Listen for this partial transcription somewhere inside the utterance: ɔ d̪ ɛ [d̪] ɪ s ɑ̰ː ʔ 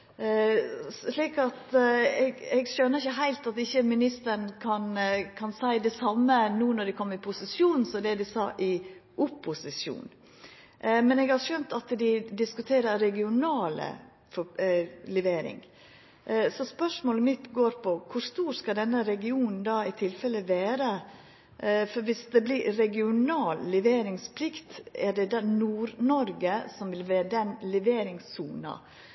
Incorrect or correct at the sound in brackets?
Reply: correct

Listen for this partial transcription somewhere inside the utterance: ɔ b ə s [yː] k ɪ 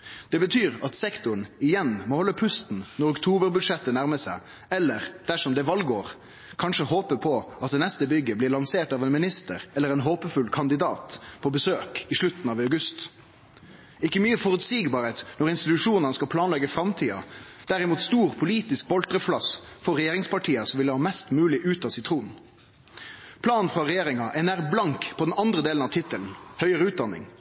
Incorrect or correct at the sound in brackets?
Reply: incorrect: øː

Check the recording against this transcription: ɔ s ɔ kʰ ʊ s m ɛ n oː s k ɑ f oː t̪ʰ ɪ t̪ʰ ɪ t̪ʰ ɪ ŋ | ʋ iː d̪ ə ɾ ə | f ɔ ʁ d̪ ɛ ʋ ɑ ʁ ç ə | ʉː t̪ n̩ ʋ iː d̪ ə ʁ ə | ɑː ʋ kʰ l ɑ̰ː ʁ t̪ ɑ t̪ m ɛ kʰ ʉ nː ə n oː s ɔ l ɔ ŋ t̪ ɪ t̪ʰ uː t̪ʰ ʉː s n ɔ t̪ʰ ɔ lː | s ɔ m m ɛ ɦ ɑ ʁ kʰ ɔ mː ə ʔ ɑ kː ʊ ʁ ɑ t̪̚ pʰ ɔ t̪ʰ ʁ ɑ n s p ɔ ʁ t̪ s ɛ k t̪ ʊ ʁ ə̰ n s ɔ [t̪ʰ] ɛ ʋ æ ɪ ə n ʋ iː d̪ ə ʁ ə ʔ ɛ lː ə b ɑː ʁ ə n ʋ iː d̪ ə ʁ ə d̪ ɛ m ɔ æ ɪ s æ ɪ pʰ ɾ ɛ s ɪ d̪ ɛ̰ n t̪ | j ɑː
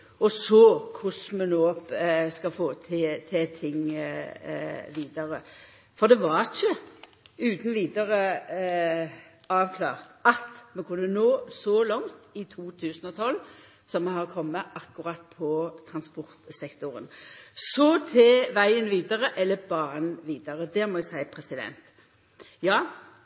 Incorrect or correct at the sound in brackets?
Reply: correct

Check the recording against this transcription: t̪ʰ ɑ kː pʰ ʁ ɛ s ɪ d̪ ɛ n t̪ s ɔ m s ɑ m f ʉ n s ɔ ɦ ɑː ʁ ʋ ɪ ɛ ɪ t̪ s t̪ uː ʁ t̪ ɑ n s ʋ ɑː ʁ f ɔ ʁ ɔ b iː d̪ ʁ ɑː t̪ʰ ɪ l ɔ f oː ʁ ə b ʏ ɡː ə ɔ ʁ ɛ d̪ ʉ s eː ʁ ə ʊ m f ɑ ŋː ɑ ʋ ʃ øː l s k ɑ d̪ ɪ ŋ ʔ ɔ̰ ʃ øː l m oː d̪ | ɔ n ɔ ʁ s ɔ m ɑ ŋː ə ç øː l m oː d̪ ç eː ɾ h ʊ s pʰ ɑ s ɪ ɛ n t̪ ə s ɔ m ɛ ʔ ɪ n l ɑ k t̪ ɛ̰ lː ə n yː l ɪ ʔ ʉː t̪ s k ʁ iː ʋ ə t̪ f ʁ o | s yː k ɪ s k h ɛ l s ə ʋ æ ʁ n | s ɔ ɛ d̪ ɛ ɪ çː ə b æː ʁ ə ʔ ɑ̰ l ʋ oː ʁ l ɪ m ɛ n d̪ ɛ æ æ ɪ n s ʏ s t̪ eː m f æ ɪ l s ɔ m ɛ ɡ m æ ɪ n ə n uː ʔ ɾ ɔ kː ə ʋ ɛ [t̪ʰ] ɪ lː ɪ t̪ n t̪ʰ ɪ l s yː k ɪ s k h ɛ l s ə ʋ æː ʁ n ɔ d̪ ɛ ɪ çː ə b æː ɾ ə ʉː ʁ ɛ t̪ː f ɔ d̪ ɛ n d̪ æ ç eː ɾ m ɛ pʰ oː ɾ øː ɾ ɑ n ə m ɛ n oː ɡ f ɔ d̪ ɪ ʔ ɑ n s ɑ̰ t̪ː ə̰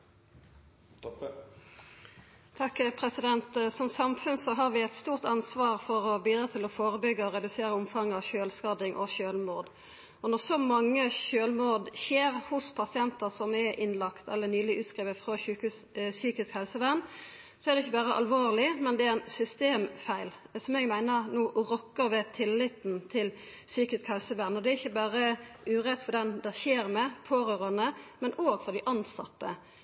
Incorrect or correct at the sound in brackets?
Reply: correct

